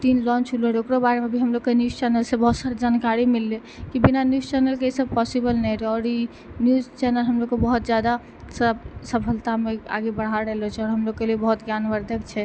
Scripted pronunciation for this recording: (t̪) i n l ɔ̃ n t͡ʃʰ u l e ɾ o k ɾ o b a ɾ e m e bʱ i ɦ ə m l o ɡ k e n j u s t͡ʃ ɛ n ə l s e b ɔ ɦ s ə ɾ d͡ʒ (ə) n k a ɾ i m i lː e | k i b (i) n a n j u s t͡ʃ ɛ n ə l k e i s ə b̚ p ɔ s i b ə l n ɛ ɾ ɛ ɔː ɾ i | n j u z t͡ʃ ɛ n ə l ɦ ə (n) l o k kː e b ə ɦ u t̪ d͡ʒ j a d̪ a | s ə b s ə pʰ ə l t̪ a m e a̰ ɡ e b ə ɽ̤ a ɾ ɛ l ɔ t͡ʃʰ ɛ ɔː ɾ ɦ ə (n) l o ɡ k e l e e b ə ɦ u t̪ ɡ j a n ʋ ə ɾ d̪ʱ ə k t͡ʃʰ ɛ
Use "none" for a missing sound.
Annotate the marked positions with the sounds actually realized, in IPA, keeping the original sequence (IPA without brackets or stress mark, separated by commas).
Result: t̪, a, i, m, m